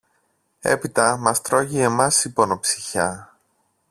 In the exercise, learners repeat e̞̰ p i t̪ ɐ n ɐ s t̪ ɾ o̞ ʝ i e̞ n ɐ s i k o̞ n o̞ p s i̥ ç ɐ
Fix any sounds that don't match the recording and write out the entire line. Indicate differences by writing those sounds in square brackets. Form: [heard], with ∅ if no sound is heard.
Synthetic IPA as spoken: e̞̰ p i t̪ ɐ [m] ɐ s t̪ ɾ o̞ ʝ i e̞ [m] ɐ s i [p] o̞ n o̞ p s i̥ ç ɐ

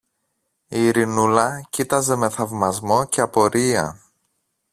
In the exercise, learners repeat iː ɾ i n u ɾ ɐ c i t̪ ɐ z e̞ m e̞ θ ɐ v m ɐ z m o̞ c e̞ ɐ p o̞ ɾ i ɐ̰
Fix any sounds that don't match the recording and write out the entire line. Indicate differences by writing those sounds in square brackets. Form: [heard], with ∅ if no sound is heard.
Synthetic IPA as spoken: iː ɾ i n u [l] ɐ c i t̪ ɐ z e̞ m e̞ θ ɐ v m ɐ z m o̞ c e̞ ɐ p o̞ ɾ i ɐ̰

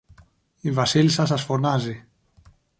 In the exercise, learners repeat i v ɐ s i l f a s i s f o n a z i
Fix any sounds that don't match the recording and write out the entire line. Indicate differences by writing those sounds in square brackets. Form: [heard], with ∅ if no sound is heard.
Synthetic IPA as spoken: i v [a] s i l [s] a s [a] s f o n a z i

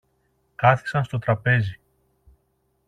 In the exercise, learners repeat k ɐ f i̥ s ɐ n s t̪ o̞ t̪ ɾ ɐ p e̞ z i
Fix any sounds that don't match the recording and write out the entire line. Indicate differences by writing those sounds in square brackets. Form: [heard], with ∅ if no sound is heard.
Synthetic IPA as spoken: k ɐ [θ] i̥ s ɐ n s t̪ o̞ t̪ ɾ ɐ p e̞ z i

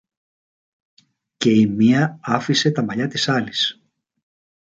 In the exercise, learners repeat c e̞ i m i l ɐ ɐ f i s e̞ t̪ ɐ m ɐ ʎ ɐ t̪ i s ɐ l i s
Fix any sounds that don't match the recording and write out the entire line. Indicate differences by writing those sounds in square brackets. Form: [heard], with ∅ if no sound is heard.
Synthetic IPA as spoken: c e̞ i m i [∅] ɐ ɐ f i s e̞ t̪ ɐ m ɐ ʎ ɐ t̪ i s ɐ l i s

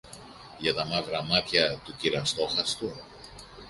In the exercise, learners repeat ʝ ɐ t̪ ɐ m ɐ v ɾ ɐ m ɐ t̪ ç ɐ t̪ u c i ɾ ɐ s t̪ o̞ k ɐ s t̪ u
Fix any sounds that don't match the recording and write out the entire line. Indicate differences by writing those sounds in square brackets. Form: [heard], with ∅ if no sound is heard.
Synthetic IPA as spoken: ʝ ɐ t̪ ɐ m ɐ v ɾ ɐ m ɐ t̪ ç ɐ t̪ u c i ɾ ɐ s t̪ o̞ [x] ɐ s t̪ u

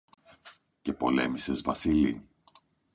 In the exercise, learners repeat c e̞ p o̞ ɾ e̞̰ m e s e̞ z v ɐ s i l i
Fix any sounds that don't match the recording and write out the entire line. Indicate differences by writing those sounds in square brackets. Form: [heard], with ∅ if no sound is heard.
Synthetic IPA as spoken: c e̞ p o̞ [l] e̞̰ m [i] s e̞ z v ɐ s i l i

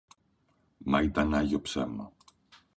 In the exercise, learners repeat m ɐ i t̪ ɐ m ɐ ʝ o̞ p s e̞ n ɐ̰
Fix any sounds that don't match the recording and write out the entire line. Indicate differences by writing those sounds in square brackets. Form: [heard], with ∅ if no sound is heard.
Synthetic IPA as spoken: m ɐ i t̪ ɐ [n] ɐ ʝ o̞ p s e̞ [m] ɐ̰

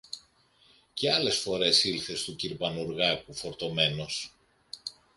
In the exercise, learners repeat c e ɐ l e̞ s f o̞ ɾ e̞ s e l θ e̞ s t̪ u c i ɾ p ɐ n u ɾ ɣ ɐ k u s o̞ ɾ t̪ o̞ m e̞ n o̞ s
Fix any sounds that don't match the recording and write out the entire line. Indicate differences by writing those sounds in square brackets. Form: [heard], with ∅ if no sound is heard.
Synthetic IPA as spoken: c e ɐ l e̞ s f o̞ ɾ e̞ s [i] l θ e̞ s t̪ u c i ɾ p ɐ n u ɾ ɣ ɐ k u [f] o̞ ɾ t̪ o̞ m e̞ n o̞ s

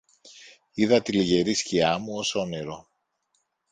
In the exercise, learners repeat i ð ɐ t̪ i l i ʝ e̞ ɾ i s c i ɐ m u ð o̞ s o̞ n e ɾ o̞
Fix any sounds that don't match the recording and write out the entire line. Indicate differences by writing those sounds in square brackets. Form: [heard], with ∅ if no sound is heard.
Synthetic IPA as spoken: i ð ɐ t̪ i l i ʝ e̞ ɾ i s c i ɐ m u [∅] o̞ s o̞ n e ɾ o̞

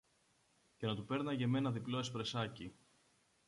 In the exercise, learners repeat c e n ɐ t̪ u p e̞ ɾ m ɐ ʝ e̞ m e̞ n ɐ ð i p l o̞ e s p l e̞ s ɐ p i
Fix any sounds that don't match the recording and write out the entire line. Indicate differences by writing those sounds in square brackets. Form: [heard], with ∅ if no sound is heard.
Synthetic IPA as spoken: c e n ɐ t̪ u p e̞ ɾ [n] ɐ ʝ e̞ m e̞ n ɐ ð i p l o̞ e s p [ɾ] e̞ s ɐ [c] i

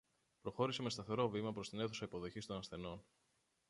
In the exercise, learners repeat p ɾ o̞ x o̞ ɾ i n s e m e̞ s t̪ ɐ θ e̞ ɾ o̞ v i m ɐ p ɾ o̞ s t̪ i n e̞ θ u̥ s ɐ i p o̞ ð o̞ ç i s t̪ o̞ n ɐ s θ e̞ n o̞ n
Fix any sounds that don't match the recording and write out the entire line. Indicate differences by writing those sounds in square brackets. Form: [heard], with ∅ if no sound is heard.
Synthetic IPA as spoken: p ɾ o̞ x o̞ ɾ i [∅] s e m e̞ s t̪ ɐ θ e̞ ɾ o̞ v i m ɐ p ɾ o̞ s t̪ i n e̞ θ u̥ s ɐ i p o̞ ð o̞ ç i s t̪ o̞ n ɐ s θ e̞ n o̞ n

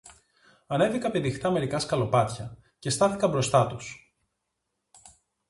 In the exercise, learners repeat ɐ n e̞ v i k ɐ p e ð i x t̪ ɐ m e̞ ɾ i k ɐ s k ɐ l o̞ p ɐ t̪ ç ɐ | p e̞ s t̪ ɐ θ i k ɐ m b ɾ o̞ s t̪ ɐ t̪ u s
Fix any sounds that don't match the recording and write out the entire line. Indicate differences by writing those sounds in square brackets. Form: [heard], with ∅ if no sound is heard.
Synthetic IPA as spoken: ɐ n e̞ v i k ɐ p e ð i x t̪ ɐ m e̞ ɾ i k ɐ s k ɐ l o̞ p ɐ t̪ ç ɐ | [c] e̞ s t̪ ɐ θ i k ɐ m b ɾ o̞ s t̪ ɐ t̪ u s

